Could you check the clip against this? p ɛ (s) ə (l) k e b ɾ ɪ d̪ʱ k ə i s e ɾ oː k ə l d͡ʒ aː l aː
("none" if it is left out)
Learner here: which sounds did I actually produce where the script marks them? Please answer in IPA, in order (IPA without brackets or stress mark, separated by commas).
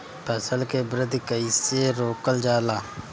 s, l